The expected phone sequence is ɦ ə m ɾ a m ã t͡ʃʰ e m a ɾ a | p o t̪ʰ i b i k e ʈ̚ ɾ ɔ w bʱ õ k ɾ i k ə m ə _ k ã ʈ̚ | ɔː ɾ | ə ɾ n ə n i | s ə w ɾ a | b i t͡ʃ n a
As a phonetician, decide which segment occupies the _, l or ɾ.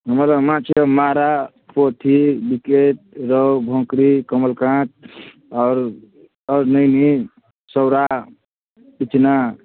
l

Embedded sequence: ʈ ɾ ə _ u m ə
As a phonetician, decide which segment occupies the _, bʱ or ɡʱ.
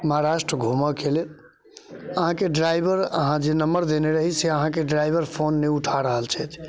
ɡʱ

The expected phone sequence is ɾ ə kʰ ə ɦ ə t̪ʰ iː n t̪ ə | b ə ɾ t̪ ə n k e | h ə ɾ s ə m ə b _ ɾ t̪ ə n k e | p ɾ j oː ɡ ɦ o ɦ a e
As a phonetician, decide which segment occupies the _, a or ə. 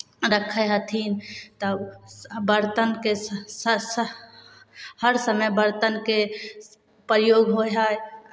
ə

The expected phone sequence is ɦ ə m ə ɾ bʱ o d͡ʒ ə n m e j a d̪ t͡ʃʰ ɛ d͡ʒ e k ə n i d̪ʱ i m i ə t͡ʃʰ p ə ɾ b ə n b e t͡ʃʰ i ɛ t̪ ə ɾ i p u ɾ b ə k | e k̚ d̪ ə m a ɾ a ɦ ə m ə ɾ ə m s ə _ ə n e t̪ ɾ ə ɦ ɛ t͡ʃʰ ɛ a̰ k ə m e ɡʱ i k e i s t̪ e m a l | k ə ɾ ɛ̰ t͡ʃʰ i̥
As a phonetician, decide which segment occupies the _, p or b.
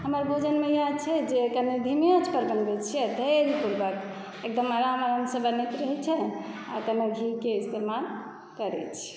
b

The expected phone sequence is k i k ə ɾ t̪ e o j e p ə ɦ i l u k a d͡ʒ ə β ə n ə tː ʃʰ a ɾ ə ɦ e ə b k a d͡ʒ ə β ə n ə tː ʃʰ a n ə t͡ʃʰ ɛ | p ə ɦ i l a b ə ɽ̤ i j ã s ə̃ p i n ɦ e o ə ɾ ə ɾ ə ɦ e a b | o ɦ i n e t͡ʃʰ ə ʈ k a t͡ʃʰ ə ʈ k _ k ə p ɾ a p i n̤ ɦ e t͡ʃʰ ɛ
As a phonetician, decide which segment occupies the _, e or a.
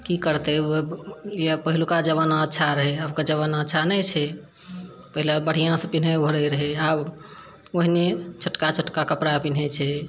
a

